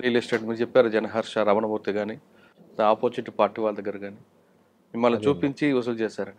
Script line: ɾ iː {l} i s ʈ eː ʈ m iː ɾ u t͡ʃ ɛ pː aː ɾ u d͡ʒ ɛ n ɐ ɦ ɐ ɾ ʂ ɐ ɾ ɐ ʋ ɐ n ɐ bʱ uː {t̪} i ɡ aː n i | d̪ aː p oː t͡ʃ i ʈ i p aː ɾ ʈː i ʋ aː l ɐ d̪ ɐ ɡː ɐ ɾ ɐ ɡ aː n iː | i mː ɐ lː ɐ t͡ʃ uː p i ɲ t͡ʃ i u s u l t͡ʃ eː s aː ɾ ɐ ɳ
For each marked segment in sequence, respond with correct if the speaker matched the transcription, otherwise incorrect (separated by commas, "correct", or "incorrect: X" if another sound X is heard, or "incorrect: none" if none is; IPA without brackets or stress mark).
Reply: correct, correct